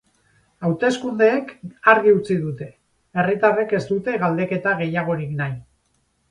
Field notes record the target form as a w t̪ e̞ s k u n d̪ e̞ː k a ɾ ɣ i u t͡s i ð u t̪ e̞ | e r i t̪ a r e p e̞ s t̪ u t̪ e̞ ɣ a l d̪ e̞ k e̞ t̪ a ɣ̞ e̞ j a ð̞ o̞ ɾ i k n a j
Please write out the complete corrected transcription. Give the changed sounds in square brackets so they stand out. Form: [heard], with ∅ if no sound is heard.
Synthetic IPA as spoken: a w t̪ e̞ s k u n d̪ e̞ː k a ɾ ɣ i u t͡s i ð u t̪ e̞ | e r i t̪ a r e [k] e̞ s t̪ u t̪ e̞ ɣ a l d̪ e̞ k e̞ t̪ a ɣ̞ e̞ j a [ɣ̞] o̞ ɾ i k n a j